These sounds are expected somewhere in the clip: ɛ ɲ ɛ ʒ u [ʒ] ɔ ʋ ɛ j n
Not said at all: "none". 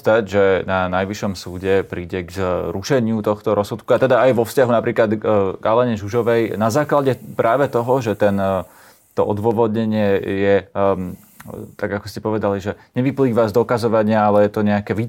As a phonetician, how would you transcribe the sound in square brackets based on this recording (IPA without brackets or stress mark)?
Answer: ʒ